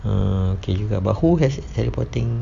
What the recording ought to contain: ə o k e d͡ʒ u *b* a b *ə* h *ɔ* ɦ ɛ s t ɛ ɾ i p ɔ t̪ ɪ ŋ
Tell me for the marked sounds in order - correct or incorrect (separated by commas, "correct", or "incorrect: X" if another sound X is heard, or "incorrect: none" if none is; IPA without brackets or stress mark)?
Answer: incorrect: ɡ, incorrect: a, incorrect: u